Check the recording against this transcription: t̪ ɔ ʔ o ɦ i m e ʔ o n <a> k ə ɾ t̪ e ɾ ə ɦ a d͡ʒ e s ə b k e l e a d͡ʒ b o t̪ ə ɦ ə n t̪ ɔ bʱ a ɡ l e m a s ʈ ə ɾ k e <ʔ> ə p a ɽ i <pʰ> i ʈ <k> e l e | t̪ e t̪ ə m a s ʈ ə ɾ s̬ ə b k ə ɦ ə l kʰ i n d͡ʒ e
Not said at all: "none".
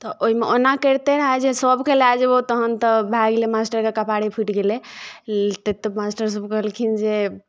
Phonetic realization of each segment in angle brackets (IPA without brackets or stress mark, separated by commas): a, k, pʰ, ɡ